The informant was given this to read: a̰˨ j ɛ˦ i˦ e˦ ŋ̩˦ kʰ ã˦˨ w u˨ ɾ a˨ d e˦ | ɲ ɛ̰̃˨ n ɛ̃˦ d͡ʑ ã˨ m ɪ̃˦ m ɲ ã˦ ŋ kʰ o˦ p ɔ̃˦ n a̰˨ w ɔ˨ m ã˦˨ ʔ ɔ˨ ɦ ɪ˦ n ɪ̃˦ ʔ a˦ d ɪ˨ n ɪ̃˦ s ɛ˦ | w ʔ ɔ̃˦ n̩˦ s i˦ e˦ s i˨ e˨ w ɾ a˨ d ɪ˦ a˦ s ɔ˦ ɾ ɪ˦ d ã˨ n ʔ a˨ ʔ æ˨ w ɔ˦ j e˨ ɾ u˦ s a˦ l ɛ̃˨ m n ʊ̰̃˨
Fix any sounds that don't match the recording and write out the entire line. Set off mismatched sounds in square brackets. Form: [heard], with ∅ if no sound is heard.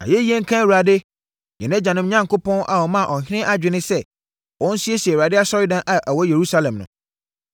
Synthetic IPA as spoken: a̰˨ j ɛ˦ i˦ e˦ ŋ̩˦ kʰ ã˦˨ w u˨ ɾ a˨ d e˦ | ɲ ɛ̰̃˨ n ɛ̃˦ d͡ʑ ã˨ [n] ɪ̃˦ m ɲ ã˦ ŋ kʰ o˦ p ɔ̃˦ n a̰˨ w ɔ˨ m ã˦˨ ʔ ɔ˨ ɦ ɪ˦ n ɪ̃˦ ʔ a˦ [d͡ʑᶣ] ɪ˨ n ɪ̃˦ s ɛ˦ | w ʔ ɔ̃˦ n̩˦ s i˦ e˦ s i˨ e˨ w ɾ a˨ d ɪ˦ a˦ s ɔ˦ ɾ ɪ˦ d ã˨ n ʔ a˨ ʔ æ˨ w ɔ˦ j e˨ ɾ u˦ s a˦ l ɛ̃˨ m n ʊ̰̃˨